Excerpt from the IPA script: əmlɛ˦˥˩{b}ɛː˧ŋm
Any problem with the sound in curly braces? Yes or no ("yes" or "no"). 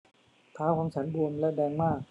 yes